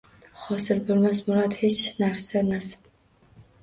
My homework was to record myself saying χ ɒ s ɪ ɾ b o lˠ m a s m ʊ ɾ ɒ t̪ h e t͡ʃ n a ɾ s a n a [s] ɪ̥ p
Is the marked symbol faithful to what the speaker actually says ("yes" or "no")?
yes